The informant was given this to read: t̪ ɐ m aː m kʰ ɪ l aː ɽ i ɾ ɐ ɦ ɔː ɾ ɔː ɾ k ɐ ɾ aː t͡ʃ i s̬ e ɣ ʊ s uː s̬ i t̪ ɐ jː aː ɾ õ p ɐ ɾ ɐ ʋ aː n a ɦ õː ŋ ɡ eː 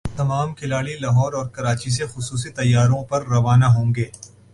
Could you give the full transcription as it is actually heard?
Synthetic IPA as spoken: t̪ ɐ m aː m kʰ ɪ l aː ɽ i l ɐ ɦ ɔː ɾ ɔː ɾ k ɐ ɾ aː t͡ʃ i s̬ e x ʊ s uː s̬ i t̪ ɐ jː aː ɾ õ p ɐ ɾː ɐ ʋ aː n a ɦ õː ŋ ɡ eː